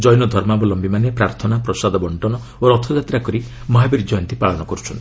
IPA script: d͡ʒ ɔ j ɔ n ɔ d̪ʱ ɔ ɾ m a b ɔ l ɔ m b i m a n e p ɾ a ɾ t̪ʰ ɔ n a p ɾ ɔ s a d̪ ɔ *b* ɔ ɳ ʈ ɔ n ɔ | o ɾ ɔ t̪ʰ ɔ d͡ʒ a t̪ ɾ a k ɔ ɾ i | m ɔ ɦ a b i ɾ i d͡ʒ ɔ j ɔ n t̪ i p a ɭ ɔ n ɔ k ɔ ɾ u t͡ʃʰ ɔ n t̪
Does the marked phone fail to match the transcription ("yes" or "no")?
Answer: no